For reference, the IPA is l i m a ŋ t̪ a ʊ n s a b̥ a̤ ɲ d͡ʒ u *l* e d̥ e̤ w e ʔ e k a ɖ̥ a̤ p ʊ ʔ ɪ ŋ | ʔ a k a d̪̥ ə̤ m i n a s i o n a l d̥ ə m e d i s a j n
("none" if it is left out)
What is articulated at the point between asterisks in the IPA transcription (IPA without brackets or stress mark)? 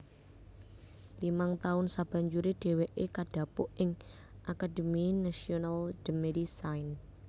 ɾ